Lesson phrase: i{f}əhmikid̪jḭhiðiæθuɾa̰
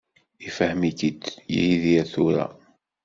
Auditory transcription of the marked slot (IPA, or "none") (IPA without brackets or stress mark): f